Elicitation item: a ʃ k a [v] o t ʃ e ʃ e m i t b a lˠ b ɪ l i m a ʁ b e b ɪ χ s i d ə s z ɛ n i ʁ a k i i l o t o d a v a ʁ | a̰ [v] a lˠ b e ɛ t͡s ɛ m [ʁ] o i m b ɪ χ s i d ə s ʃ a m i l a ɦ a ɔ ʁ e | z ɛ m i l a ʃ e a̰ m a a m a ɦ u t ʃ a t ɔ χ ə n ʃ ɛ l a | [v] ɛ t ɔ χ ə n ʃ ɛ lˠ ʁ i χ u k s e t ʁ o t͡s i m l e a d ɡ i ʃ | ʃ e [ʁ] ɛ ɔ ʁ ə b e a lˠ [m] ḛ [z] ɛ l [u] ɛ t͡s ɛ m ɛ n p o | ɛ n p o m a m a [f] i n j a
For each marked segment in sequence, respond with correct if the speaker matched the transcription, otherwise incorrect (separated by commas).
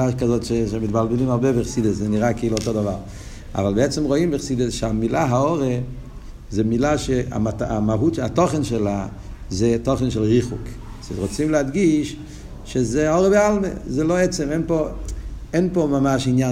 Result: incorrect, correct, correct, incorrect, incorrect, correct, correct, incorrect, incorrect